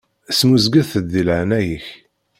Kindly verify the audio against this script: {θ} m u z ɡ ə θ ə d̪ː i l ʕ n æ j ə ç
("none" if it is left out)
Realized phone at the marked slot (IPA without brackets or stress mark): s